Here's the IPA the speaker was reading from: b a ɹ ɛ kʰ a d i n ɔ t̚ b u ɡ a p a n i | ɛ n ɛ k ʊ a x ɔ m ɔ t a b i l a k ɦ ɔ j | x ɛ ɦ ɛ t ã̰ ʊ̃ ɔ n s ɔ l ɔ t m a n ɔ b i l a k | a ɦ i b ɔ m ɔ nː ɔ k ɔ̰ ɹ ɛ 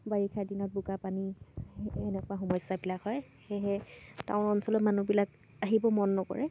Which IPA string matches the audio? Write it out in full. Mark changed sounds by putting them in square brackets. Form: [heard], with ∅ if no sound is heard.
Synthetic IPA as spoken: b a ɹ [i] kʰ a d i n ɔ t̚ b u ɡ a p a n i | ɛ n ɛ k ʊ a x ɔ m ɔ [s] a b i l a k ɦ ɔ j | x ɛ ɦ ɛ t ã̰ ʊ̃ ɔ n s ɔ l ɔ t m a n [u] b i l a k | a ɦ i b ɔ m ɔ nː ɔ k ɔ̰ ɹ ɛ